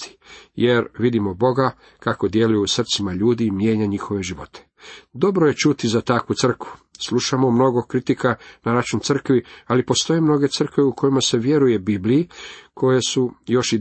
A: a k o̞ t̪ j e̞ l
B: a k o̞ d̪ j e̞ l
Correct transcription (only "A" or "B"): B